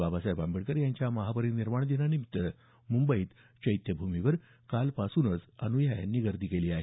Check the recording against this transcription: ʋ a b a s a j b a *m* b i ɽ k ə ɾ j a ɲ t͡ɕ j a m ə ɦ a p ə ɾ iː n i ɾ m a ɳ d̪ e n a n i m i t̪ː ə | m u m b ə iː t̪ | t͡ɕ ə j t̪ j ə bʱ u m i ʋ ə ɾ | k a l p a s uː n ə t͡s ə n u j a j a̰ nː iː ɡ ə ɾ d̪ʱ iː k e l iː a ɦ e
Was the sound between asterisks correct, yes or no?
yes